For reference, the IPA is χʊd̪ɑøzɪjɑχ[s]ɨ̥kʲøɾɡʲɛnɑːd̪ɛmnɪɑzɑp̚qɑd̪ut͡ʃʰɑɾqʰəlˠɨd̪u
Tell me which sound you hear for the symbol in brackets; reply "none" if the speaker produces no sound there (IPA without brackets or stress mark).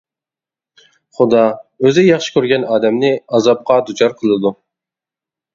ʃ